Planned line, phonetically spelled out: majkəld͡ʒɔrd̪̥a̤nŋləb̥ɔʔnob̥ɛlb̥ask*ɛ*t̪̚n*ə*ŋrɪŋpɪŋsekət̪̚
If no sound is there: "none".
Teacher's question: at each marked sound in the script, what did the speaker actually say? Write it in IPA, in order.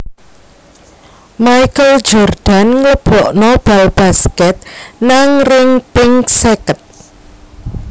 ɛ, a

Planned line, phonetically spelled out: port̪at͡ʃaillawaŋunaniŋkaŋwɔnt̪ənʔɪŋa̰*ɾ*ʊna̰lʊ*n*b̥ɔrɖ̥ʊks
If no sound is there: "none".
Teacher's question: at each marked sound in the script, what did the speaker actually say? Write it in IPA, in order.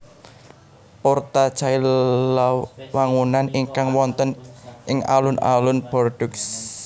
l, n

